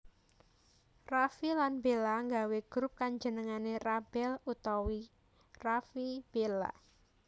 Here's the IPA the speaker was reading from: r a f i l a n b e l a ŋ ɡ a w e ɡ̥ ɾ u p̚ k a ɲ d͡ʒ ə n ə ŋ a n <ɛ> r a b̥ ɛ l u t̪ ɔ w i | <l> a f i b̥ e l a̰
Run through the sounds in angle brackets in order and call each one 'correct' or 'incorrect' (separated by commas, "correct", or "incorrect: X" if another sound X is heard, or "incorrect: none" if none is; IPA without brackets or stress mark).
incorrect: e, incorrect: r